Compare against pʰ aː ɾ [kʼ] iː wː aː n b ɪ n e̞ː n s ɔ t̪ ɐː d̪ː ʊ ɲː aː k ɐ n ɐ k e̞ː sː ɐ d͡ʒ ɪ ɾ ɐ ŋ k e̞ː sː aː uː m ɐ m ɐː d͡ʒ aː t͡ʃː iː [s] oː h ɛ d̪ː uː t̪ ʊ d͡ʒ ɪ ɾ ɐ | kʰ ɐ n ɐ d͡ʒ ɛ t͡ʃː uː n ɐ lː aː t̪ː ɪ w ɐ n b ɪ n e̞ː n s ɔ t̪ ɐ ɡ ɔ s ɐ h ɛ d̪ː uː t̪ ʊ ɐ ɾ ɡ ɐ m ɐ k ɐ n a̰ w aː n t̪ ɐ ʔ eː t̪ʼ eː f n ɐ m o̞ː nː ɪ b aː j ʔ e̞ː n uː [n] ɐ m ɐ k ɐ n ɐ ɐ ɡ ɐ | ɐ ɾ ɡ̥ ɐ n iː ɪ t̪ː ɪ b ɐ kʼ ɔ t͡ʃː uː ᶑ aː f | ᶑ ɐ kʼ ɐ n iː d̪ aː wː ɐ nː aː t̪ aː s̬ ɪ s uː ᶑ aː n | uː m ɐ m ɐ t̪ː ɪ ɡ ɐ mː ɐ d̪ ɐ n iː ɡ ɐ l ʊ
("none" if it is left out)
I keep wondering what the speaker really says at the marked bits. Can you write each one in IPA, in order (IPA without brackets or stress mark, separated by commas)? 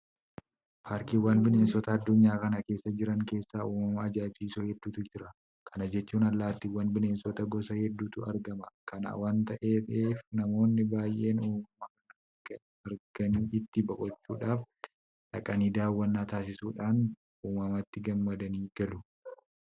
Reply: k, s, m